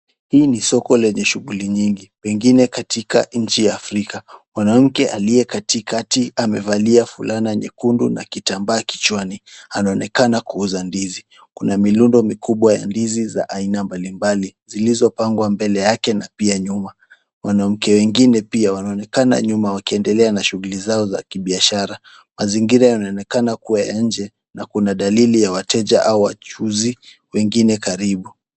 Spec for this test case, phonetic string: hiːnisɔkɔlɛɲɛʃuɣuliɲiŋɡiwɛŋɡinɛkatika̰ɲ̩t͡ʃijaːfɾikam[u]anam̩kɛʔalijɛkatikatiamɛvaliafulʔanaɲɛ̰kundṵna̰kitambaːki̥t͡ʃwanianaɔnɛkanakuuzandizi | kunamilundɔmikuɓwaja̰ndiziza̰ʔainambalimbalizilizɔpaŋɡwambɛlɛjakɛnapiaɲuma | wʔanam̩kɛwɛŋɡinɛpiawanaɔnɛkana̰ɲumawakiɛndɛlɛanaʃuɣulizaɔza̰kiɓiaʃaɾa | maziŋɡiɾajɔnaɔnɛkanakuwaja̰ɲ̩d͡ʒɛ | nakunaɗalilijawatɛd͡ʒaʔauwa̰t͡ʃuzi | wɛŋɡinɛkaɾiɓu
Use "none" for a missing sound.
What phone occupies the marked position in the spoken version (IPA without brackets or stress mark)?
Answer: w